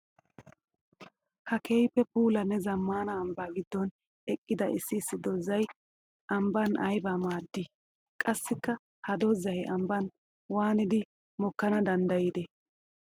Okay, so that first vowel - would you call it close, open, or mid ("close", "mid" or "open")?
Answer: open